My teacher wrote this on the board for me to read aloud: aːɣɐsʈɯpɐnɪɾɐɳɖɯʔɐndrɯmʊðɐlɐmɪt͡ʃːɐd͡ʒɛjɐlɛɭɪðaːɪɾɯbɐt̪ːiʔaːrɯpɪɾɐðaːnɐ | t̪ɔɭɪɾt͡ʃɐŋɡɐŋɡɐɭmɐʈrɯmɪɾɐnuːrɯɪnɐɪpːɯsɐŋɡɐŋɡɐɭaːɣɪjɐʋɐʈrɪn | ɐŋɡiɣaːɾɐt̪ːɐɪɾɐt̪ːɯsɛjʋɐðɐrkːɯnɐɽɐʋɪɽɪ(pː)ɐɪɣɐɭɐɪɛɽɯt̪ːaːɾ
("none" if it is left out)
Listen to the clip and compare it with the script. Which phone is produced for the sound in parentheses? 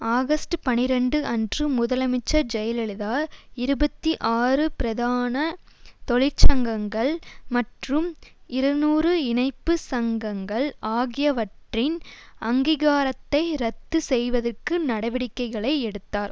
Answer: kː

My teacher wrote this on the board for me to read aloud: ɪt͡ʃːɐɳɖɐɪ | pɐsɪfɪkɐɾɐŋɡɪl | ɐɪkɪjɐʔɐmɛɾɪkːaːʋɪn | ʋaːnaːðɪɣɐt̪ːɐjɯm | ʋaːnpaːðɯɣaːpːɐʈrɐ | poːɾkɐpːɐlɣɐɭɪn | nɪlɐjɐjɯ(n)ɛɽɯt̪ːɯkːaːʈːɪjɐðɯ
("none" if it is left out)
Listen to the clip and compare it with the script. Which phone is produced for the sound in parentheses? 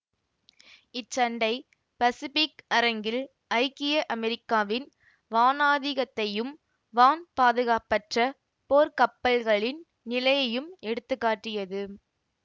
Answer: m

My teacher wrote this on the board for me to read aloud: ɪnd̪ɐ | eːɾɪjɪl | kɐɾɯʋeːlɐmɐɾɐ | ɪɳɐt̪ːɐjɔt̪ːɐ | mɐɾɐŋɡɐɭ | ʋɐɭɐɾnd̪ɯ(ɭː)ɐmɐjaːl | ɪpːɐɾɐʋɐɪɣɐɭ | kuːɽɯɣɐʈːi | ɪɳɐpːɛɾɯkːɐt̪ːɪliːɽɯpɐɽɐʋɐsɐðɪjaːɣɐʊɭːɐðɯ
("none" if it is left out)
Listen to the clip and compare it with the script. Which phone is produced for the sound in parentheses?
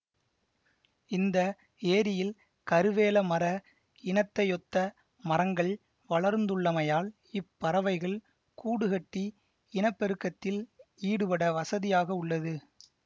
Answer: ɭː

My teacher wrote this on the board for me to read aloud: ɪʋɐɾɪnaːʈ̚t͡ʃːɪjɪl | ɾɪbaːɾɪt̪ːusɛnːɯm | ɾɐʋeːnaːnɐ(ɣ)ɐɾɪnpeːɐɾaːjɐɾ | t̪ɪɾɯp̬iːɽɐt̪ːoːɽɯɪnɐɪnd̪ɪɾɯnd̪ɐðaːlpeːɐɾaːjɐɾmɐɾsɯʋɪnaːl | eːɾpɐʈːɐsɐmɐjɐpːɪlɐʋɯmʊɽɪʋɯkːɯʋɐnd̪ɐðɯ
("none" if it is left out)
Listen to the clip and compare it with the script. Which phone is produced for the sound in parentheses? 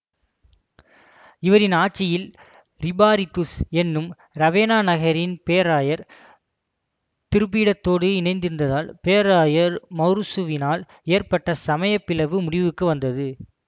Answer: ɣ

